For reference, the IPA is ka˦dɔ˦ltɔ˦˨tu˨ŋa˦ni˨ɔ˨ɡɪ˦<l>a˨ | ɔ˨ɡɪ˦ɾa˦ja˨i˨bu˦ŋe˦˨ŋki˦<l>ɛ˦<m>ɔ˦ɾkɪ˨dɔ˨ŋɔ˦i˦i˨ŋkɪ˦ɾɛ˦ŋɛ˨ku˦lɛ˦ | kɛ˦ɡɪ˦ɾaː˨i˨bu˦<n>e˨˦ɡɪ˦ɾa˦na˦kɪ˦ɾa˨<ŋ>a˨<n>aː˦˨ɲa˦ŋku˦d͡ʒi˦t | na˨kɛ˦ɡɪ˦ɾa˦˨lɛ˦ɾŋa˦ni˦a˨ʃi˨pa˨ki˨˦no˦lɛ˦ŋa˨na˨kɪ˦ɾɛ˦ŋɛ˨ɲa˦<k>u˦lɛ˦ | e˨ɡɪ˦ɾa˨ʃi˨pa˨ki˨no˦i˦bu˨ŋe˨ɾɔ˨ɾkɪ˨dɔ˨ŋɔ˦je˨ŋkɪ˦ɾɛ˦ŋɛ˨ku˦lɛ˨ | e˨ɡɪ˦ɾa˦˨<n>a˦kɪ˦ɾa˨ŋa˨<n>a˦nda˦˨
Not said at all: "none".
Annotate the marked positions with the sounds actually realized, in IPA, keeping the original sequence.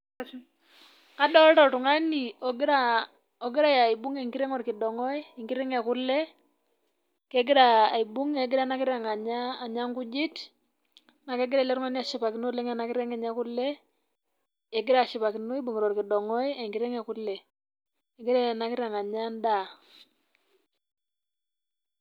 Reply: ɾ, ɾ, ŋ, ŋ, ŋ, ɲ, k, n, ɲ

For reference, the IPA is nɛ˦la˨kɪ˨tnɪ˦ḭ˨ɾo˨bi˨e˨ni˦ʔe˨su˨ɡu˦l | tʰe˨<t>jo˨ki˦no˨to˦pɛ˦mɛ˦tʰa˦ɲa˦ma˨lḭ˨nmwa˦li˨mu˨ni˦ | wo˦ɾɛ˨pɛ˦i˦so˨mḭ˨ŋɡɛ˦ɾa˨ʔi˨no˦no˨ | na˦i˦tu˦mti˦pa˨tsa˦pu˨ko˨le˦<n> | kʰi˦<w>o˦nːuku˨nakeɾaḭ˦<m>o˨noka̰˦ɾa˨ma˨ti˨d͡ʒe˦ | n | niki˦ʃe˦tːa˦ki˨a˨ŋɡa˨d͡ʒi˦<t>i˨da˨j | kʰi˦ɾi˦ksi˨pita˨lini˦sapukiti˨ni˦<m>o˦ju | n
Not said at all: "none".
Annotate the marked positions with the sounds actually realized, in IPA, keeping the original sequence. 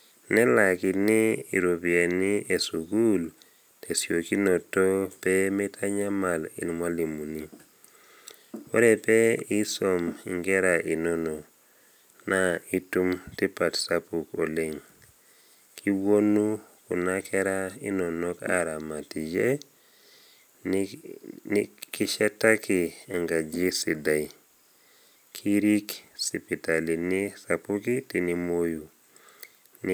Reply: s, ŋ, w, n, s, m

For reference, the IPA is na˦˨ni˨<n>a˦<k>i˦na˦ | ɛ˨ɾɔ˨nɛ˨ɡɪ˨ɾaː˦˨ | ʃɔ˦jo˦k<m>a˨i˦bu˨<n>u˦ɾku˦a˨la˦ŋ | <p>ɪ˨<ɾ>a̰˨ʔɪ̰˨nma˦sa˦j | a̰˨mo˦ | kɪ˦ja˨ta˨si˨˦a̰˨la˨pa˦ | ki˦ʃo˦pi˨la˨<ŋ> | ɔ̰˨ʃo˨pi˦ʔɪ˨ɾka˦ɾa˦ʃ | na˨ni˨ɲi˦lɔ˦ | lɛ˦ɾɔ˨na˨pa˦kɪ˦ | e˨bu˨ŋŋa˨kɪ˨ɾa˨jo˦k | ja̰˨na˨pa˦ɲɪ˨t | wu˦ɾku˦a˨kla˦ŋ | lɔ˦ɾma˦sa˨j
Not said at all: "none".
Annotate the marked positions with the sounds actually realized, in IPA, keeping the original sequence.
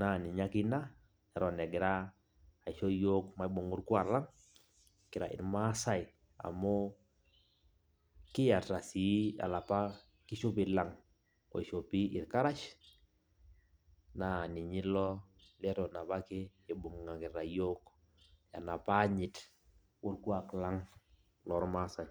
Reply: ɲ, k, m, ŋ, k, ɾ, ŋ

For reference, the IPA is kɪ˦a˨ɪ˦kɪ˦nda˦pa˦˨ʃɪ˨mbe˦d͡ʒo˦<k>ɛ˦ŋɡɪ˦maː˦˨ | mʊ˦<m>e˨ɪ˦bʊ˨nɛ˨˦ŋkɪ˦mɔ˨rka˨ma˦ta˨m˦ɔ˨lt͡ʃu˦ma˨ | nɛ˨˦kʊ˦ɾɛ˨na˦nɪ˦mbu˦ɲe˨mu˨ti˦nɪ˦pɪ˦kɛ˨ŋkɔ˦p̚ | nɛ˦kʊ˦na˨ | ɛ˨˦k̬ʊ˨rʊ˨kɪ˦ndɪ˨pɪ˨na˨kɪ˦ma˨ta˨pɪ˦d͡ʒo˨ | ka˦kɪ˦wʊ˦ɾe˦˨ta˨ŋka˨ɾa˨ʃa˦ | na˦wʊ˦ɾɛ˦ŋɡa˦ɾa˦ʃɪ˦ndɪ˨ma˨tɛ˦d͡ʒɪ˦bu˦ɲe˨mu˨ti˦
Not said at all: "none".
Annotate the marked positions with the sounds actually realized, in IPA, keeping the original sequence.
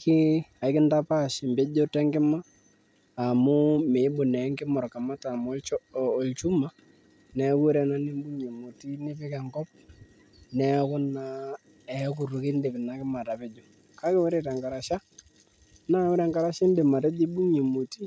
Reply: t, m

